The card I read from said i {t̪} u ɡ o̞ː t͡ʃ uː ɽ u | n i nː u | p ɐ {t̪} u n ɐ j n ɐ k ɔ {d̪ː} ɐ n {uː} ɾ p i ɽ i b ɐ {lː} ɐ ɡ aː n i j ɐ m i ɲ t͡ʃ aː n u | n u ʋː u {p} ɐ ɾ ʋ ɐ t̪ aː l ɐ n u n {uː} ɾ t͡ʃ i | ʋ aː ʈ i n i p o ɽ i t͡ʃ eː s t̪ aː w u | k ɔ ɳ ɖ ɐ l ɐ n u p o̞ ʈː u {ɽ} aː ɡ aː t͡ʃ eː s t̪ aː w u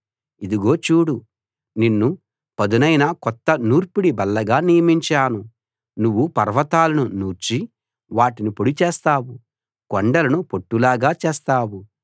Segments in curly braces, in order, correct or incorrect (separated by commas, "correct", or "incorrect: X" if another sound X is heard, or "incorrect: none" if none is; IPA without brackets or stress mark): incorrect: d̪, incorrect: d̪, incorrect: t̪ː, correct, correct, correct, correct, incorrect: l